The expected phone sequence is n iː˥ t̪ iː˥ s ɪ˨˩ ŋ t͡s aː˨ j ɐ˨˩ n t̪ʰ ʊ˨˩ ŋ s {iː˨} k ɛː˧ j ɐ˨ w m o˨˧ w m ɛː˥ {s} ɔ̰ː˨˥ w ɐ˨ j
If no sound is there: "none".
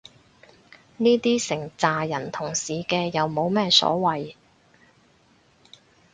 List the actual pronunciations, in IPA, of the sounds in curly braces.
iː˨, s

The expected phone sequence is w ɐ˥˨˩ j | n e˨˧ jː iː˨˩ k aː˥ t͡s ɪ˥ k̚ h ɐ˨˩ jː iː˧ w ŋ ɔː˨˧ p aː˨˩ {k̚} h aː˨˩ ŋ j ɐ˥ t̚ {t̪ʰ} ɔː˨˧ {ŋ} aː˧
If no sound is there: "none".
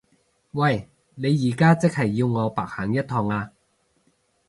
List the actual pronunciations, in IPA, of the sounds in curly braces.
k̚, t̪ʰ, ŋ

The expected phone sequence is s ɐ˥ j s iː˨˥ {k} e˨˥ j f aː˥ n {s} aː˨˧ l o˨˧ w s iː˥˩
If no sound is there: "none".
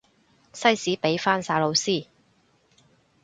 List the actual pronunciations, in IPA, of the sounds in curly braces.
p, s

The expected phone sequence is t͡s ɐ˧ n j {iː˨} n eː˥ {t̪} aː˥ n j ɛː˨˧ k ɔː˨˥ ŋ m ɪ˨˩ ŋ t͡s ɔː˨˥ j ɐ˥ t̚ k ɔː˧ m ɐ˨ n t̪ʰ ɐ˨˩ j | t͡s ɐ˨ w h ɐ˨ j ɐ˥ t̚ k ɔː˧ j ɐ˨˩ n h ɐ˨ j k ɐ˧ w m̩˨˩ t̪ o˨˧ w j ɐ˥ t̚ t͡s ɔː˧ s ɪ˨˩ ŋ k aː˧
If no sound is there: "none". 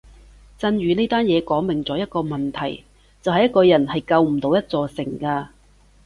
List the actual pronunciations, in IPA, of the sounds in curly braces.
yː˨, t̪

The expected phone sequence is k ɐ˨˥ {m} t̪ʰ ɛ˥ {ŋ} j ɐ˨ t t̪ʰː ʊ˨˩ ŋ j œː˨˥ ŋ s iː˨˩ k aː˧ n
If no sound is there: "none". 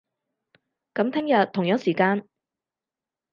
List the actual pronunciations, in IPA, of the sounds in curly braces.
m, ŋ

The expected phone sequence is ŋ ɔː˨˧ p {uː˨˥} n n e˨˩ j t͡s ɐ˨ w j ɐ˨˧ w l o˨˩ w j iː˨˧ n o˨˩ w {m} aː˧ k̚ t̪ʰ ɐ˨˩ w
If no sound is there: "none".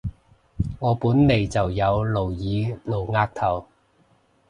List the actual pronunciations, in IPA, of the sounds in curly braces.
uː˨˥, ŋ

